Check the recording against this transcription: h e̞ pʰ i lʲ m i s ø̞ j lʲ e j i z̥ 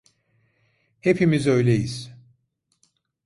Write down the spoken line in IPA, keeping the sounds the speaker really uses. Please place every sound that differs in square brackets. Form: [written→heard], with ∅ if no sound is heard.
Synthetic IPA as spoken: h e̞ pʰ i [lʲ→∅] m i [s→z] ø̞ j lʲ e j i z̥